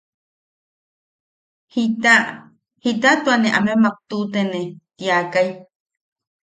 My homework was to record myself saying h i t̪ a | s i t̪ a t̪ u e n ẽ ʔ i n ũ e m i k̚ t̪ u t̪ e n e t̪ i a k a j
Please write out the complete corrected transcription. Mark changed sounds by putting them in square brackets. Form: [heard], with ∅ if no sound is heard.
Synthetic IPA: h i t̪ a | [h] i t̪ a t̪ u [a] n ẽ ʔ [a] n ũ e m [a] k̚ t̪ u t̪ e n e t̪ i a k a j